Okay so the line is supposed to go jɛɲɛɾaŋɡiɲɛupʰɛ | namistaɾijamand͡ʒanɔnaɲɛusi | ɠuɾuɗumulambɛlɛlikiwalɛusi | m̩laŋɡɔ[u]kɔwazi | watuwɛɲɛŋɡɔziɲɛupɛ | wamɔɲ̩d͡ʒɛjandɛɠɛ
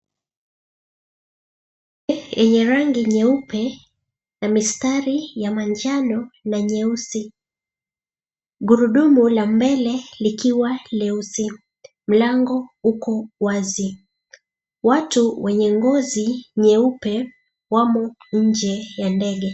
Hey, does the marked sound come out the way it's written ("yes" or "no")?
yes